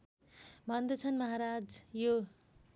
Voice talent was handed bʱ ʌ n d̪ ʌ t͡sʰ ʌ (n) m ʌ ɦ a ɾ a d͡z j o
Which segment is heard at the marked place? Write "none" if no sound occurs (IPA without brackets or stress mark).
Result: n